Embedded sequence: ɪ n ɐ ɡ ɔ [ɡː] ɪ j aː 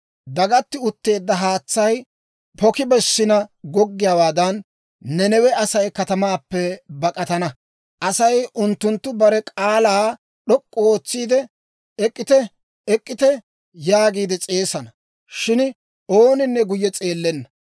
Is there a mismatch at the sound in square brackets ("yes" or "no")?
no